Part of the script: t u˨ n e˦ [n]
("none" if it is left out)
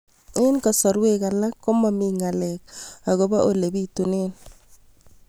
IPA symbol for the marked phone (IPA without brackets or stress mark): n